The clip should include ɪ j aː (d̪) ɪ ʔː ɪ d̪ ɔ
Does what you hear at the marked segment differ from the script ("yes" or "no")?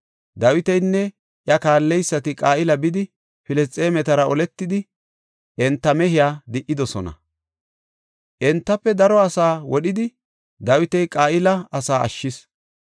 no